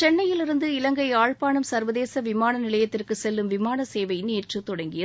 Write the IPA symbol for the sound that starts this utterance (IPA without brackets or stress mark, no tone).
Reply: t͡ʃ